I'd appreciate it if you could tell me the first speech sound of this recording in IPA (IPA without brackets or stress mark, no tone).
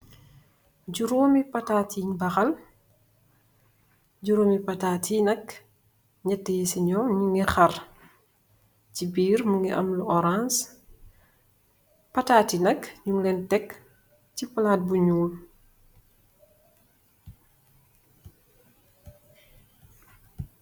ɟ